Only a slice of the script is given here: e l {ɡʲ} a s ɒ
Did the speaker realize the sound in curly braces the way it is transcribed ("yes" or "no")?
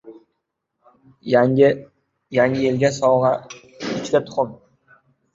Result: yes